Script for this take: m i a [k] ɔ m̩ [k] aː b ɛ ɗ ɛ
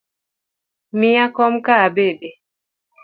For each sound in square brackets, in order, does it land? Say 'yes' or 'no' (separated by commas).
yes, yes